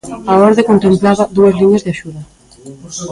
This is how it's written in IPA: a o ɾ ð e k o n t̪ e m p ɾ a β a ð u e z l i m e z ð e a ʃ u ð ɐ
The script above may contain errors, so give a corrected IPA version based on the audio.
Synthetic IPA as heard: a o ɾ ð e k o n t̪ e m p l a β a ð u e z l i ɲ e z ð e a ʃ u ð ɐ